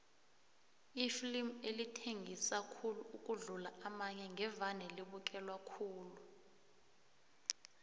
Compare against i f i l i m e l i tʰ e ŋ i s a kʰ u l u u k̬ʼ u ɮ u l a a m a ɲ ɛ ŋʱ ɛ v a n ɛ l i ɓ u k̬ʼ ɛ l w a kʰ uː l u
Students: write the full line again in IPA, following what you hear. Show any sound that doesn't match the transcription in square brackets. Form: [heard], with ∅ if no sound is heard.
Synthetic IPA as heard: i f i l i m e l i tʰ e ŋ i s a kʰ u l u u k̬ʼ u ɮ u l a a m a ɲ ɛ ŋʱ ɛ v a n ɛ l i ɓ u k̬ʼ ɛ l w a kʰ uː l u